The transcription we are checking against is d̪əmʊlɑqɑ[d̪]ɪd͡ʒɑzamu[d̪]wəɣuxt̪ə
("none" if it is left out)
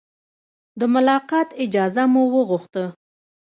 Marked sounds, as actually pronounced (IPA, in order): t̪, none

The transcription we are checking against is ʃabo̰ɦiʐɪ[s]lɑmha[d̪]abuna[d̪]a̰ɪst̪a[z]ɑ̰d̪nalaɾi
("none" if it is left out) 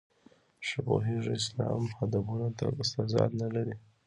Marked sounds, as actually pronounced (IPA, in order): s, d̪, t̪, z

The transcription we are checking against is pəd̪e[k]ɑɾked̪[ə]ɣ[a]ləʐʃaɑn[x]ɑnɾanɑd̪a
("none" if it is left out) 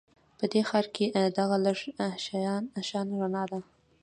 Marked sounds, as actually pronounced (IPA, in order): x, a, a, ʃ

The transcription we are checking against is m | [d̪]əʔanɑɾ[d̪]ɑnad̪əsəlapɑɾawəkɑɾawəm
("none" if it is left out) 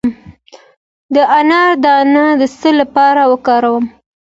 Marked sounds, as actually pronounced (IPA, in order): d̪, d̪

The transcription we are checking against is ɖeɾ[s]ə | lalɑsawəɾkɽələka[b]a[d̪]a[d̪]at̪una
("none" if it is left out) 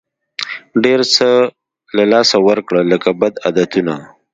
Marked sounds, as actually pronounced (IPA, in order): s, b, d̪, d̪

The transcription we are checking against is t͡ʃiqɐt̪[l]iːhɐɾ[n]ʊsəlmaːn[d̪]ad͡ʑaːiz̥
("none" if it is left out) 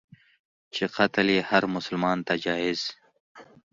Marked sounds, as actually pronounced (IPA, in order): l, m, t̪

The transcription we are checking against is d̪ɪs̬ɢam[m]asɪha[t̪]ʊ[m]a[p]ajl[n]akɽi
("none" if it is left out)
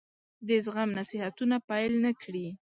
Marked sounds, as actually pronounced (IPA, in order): n, t̪, n, p, n

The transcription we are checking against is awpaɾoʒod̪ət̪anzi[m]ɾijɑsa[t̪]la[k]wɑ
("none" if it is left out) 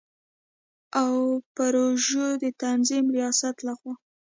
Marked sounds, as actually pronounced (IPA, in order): m, t̪, x

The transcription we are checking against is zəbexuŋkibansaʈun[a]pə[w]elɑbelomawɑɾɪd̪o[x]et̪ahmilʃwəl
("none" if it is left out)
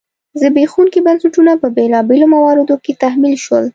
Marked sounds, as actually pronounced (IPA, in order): a, b, k

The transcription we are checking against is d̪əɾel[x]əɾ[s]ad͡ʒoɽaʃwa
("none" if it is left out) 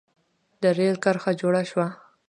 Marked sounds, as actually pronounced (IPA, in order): k, x

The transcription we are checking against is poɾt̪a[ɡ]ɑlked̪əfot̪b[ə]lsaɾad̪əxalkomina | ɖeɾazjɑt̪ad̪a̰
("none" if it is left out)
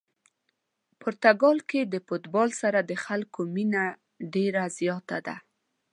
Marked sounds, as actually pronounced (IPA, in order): ɡ, ɑ

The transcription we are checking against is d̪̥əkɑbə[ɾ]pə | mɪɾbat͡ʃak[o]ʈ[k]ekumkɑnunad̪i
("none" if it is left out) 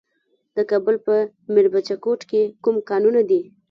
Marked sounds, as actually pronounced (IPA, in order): l, o, k

